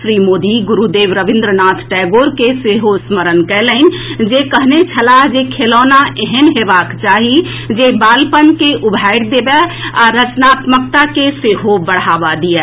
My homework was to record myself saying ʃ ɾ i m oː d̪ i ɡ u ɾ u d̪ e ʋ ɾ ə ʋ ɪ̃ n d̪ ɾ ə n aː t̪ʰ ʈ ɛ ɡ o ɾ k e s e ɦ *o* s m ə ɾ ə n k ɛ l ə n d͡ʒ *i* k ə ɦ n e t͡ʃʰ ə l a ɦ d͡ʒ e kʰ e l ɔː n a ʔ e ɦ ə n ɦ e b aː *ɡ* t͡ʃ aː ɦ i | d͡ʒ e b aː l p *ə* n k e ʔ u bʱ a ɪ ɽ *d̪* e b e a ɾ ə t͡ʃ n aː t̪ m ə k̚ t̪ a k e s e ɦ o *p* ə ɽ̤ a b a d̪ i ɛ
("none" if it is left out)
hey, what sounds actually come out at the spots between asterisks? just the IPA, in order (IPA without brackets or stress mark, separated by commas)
o, e, k, ə, d̪, b